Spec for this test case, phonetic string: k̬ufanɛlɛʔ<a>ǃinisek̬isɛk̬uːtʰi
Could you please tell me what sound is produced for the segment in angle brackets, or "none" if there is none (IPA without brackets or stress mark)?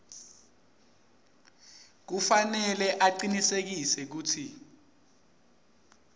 a